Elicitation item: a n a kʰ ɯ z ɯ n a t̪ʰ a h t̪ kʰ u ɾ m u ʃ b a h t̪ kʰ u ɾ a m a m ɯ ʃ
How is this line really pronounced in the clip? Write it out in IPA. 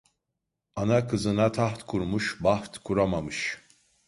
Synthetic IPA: a n a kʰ ɯ z ɯ n a t̪ʰ a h t̪ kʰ u ɾ m u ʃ b a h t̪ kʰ u ɾ a m a m ɯ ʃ